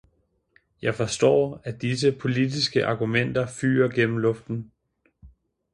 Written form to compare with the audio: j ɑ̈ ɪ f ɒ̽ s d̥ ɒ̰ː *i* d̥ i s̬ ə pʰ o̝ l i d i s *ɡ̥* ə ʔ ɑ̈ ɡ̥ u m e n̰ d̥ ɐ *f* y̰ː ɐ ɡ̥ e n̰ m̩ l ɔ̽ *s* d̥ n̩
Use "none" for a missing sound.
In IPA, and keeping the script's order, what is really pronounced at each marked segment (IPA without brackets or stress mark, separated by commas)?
æ, ɡ̥, f, f